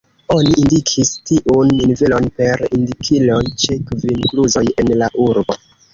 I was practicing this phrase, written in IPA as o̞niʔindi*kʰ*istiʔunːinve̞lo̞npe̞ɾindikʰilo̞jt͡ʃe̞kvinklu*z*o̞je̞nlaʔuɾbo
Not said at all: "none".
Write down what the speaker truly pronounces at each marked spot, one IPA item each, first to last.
kʰ, z

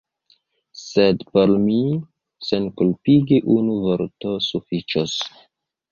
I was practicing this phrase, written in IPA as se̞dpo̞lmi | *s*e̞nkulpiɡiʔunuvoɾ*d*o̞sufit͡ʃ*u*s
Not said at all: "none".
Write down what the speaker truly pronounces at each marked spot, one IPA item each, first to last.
s, t, o

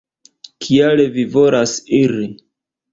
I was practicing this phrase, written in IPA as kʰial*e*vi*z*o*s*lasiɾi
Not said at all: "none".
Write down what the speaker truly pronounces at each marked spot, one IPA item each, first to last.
e, v, none

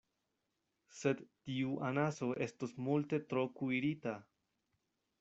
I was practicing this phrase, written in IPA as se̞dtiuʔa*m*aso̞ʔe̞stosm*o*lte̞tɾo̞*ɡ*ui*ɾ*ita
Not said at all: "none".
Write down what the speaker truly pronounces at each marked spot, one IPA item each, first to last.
n, u, k, ɾ

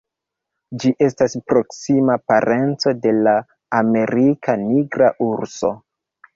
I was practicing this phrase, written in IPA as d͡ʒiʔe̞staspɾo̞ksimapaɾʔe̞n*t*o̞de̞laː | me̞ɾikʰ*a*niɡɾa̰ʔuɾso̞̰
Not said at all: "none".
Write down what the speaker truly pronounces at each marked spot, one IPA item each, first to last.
t͡s, a

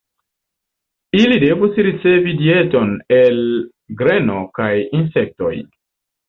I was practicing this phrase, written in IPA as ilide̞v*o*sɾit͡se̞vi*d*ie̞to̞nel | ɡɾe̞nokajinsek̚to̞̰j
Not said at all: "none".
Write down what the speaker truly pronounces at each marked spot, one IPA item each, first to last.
u, d

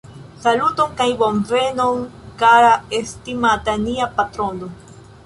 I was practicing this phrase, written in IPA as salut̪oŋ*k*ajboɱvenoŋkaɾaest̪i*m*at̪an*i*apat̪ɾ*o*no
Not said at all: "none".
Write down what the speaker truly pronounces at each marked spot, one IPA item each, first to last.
k, m, i, o

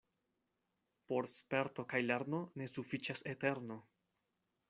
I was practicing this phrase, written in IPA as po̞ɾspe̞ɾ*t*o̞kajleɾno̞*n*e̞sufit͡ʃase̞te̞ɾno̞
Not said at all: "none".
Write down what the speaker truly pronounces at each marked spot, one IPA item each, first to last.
t, n

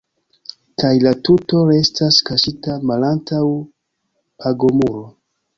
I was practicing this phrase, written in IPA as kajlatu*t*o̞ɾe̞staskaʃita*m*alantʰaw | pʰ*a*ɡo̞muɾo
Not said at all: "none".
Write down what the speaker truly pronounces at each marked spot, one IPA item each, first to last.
t, m, a

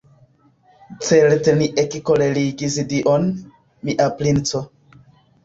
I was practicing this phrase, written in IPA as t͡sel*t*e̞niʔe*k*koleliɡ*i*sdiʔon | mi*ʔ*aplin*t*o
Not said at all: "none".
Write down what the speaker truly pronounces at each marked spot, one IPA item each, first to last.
t, k, i, ʔ, t͡s

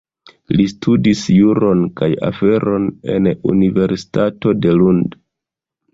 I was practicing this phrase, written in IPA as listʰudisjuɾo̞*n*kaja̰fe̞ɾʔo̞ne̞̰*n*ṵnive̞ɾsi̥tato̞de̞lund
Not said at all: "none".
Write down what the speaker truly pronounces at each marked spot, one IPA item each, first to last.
n, n

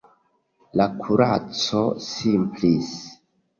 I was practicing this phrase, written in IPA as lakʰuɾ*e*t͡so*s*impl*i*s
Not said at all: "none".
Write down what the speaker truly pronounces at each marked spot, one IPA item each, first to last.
a, s, i

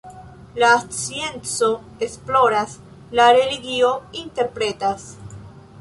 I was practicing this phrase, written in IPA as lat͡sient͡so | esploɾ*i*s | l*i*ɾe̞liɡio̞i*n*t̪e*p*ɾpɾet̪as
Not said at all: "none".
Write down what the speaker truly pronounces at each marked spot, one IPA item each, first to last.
a, a, n, none

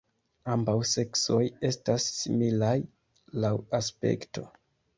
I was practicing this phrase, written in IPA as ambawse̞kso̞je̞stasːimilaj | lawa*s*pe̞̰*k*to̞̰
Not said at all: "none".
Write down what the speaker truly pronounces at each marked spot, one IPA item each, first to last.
s, k

